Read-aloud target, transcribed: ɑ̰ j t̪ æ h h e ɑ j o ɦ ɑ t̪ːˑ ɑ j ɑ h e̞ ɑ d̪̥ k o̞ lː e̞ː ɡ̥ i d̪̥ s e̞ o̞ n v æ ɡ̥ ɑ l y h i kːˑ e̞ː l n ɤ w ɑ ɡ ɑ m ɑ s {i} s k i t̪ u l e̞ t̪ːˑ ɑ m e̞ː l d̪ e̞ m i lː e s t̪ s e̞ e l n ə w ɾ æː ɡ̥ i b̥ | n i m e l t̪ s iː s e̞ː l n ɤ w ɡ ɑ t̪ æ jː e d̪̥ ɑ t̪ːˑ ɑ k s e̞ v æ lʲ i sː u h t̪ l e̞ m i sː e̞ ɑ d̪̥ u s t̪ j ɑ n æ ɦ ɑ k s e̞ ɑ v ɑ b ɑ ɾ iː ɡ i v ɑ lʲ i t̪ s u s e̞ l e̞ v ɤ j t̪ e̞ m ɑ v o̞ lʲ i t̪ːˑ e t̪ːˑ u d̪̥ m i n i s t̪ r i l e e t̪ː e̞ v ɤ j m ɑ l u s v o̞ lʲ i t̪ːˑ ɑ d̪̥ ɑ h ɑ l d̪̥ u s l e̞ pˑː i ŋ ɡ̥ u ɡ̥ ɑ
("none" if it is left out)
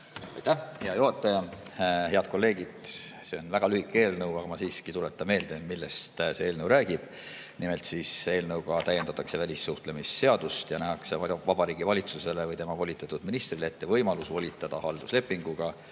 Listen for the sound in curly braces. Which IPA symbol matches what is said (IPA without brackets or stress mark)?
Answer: iː